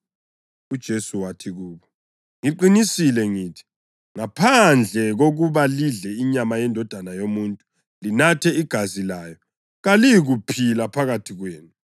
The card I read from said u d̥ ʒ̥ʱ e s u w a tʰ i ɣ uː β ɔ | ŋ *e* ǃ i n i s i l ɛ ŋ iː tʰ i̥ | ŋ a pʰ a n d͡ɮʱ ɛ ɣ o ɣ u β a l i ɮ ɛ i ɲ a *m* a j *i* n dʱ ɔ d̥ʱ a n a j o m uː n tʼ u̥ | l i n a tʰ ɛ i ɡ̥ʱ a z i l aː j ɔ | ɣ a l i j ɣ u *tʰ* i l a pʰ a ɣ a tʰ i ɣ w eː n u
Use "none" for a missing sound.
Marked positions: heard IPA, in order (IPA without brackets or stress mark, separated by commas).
i, m, ɛ, pʰ